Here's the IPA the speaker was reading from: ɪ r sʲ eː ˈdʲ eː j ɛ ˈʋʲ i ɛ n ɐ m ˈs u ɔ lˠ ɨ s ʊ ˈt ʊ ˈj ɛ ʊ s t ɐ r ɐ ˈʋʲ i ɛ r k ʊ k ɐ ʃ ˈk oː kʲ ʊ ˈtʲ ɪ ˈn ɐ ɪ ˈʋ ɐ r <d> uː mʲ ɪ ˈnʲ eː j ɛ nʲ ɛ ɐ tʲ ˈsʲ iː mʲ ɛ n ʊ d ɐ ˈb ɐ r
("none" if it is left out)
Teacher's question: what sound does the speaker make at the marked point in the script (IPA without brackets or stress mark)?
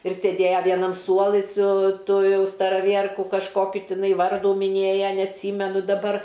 d